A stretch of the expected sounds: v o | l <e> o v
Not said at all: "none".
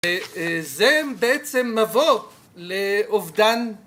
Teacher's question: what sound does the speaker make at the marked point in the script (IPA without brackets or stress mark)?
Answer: e